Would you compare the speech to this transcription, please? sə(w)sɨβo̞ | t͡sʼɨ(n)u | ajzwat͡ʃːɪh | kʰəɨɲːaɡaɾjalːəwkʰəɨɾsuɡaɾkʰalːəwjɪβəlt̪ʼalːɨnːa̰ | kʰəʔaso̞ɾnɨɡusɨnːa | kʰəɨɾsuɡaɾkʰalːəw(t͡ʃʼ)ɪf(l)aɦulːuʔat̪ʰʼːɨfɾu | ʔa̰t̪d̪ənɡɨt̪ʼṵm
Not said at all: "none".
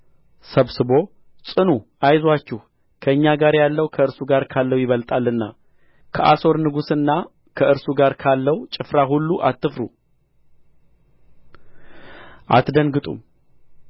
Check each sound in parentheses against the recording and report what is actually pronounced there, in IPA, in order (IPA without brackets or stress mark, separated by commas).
β, n, t͡ʃʼ, ɾ